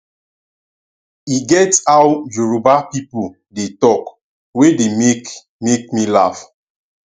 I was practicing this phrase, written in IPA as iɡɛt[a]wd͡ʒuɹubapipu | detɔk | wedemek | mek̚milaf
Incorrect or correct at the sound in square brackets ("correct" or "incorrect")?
correct